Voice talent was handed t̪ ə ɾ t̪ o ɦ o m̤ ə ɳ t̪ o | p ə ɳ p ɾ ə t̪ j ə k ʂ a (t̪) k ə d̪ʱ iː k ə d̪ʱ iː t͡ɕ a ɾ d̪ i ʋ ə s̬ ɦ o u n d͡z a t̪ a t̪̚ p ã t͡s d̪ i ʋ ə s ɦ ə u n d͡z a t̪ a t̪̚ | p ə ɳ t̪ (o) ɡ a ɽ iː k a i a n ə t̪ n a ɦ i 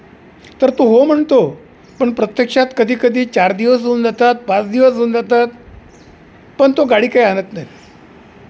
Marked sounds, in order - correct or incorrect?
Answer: correct, correct

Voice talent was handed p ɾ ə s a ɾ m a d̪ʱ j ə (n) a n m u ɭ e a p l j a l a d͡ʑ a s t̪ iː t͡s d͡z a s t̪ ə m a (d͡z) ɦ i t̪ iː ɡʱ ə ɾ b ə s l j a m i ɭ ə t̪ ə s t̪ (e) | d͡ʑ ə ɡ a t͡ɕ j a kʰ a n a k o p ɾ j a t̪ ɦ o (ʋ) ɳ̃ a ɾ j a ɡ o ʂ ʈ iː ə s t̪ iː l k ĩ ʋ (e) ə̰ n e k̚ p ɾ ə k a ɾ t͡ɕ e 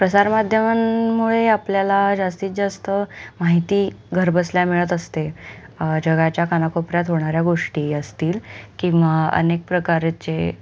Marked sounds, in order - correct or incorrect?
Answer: incorrect, incorrect, correct, incorrect, incorrect

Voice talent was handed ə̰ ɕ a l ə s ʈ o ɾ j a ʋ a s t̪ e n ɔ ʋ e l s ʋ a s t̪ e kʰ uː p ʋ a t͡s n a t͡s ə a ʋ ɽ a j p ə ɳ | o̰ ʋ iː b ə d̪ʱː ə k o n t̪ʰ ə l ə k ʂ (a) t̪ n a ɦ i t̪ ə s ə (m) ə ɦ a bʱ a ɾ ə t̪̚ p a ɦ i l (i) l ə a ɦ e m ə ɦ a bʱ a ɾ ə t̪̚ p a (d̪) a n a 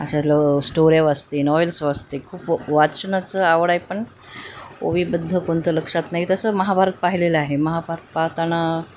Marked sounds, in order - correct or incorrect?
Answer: correct, correct, incorrect, incorrect

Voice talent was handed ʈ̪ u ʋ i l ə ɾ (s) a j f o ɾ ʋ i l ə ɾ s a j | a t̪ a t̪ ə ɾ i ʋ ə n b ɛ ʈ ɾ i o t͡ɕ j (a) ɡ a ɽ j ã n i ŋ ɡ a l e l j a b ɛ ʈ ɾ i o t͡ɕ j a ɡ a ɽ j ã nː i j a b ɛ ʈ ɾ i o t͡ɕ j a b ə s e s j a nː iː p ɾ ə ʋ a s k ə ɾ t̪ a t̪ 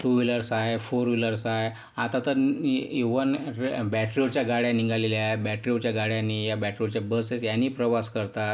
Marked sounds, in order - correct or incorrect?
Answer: correct, correct

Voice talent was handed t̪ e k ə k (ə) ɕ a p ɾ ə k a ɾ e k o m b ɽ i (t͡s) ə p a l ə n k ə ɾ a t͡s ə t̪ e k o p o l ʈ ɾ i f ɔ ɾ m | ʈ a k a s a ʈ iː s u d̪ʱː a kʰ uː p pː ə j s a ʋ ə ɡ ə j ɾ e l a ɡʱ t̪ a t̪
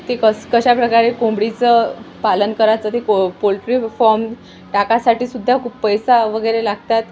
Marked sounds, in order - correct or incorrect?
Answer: correct, correct

